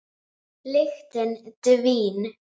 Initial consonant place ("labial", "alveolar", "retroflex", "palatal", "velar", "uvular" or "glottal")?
alveolar